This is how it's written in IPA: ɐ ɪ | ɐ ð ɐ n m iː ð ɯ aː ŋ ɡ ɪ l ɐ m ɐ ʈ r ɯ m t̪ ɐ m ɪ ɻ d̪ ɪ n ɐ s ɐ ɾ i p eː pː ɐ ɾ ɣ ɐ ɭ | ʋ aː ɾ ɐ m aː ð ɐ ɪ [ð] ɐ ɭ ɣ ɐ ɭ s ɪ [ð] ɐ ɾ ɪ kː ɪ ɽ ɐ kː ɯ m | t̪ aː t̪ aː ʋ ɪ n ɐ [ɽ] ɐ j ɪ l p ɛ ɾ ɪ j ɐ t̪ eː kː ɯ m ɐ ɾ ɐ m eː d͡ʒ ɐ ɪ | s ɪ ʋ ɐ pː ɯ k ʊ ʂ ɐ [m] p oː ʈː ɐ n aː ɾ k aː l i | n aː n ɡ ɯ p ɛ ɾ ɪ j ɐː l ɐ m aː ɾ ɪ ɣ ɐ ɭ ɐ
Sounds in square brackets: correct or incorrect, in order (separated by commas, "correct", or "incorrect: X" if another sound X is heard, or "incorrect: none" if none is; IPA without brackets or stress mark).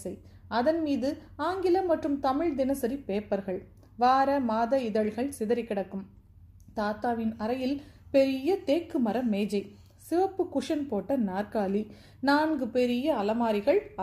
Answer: correct, correct, incorrect: ɾ, incorrect: n